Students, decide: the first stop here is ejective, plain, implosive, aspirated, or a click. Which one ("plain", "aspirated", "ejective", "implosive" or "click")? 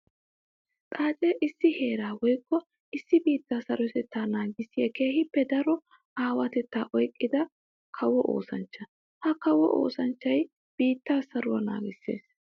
ejective